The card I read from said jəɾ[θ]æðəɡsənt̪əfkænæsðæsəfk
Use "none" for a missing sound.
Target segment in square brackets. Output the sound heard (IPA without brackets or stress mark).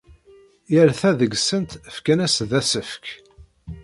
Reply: θ